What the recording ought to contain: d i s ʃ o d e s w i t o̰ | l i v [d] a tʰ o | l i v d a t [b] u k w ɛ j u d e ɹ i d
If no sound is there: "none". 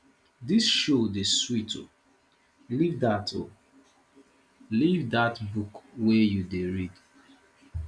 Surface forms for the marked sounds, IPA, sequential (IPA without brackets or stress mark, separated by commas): d, b